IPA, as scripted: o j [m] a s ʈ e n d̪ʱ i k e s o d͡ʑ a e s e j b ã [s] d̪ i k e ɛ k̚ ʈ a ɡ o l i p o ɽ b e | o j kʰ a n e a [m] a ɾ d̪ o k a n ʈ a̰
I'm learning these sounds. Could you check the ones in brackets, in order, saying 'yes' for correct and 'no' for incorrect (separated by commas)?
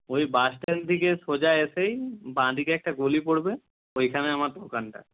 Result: no, no, yes